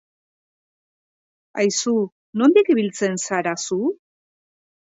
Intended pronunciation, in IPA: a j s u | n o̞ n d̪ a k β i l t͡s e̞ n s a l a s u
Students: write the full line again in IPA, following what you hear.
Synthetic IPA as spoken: a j s u | n o̞ n d̪ i k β i l t͡s e̞ n s a ɾ a s u